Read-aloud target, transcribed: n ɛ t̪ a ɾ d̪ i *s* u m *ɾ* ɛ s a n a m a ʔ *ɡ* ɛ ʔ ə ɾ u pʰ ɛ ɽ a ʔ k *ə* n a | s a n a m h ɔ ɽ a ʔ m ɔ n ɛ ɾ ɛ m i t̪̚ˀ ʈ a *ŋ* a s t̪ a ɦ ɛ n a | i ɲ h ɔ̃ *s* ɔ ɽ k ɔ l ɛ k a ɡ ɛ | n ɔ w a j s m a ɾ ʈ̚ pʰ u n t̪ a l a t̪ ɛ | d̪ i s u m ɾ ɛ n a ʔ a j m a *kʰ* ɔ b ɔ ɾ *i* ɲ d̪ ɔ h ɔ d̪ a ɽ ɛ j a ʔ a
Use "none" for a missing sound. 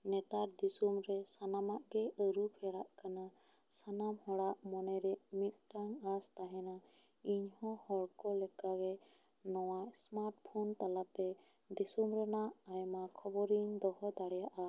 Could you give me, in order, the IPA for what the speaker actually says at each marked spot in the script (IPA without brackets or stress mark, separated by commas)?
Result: s, ɾ, ɡ, a, ŋ, h, kʰ, i